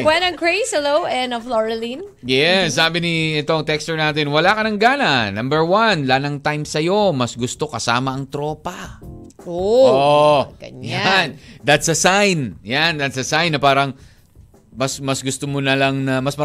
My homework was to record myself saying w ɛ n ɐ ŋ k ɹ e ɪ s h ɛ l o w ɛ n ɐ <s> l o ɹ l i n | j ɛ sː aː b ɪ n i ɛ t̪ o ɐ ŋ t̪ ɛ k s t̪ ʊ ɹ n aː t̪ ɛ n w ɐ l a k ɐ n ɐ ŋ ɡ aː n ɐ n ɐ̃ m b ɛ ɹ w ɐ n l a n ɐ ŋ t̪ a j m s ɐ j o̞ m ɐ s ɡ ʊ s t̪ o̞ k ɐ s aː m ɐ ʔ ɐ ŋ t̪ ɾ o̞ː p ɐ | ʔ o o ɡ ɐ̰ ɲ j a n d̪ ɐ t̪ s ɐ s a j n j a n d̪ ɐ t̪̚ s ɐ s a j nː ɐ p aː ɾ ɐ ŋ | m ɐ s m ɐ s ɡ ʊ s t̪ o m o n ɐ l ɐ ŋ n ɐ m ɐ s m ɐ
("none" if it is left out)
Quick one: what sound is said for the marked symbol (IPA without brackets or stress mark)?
f